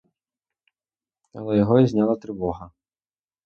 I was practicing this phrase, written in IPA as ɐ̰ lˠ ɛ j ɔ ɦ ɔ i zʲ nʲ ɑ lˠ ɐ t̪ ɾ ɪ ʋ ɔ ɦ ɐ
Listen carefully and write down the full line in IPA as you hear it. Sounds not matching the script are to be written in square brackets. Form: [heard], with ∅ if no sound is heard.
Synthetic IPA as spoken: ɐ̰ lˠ ɛ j ɔ ɦ ɔ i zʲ nʲ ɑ lˠ ɐ t̪ ɾ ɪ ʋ ɔ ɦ ɐ